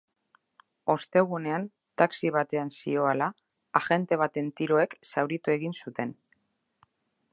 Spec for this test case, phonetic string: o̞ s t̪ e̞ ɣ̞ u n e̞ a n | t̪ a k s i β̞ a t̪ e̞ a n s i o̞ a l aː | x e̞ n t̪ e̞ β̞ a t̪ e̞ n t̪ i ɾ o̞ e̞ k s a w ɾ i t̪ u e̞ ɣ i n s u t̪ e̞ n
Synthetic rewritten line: o̞ s t̪ e̞ ɣ̞ u n e̞ a n | t̪ a k s i β̞ a t̪ e̞ a n s i o̞ a l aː | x e̞ n t̪ e̞ β̞ a t̪ e̞ n t̪ i ɾ o̞ e̞ k s a w ɾ i t̪ u e̞ ɣ i n s u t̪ e̞ n